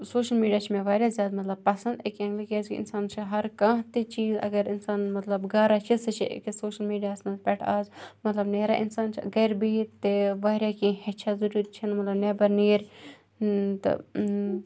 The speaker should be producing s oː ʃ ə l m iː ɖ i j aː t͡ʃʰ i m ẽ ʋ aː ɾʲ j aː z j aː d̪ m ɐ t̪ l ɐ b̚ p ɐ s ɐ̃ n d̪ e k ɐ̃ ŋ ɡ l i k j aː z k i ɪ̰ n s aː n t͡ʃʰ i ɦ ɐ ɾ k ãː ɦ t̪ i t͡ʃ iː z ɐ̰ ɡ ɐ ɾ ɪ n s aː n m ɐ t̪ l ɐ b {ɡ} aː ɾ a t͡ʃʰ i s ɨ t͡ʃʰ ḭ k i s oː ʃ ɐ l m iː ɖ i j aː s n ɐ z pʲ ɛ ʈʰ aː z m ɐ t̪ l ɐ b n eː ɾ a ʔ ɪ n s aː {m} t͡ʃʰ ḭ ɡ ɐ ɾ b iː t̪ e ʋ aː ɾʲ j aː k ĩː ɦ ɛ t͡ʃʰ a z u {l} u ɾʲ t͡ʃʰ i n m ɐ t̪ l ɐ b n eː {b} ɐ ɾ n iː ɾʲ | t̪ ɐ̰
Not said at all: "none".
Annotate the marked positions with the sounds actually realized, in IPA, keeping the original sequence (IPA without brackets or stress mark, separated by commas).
ɡ, n, ɾ, b